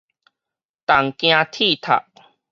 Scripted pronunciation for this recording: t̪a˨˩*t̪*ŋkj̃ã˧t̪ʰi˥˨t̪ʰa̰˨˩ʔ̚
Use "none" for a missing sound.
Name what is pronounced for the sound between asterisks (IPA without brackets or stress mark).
none